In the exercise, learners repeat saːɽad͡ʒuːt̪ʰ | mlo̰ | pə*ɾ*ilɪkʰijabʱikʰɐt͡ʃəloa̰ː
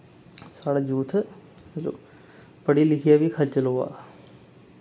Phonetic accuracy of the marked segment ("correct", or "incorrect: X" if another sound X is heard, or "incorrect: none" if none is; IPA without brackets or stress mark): incorrect: ɽ